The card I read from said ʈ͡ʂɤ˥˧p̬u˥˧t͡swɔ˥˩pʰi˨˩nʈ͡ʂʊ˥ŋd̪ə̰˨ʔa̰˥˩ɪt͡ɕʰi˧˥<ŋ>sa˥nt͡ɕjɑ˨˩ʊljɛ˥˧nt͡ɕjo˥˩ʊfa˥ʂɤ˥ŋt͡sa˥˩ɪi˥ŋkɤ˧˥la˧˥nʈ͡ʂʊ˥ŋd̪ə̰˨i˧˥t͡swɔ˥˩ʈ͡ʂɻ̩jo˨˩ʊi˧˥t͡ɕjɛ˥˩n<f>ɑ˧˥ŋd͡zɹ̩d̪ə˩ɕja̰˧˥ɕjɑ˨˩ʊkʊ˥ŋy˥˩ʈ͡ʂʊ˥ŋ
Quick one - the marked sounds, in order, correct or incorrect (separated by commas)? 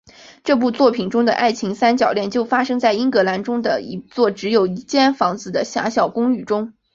correct, correct